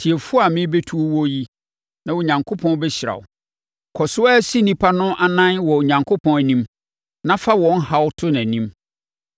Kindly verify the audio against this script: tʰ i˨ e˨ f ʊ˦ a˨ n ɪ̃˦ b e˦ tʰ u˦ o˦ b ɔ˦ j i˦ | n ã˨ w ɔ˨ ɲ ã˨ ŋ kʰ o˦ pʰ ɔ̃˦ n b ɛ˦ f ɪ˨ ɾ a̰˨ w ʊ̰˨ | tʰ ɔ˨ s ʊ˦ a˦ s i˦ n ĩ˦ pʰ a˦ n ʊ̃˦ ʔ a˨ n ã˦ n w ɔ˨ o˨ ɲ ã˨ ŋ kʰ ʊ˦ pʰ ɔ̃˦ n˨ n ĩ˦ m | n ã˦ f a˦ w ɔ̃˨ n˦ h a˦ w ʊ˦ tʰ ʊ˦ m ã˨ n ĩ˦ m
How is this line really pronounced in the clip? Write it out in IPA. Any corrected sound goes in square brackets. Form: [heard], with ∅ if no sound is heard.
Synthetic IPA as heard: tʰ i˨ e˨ f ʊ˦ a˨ [m] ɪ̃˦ b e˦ tʰ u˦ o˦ [w] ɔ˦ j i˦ | n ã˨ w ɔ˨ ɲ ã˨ ŋ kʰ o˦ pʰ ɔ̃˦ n b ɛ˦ [ɕ] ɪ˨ ɾ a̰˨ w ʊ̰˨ | [kʰ] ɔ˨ s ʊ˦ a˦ s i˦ n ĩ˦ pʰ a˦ n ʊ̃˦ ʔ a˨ n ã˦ n w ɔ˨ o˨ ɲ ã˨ ŋ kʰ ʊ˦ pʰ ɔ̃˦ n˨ n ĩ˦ m | n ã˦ f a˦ w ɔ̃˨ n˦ h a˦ w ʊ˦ tʰ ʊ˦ [n] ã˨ n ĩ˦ m